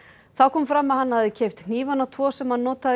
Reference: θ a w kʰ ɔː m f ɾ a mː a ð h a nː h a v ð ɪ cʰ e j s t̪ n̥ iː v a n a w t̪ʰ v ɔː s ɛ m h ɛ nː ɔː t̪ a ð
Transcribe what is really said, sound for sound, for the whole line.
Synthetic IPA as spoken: θ a w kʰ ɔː m f ɾ a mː a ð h a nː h a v ð ɪ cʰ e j f t̪ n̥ iː v a n a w t̪ʰ v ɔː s ɛ m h a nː ɔː t̪ a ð